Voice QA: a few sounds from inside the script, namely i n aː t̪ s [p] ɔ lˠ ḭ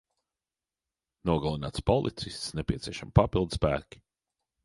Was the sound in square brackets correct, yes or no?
yes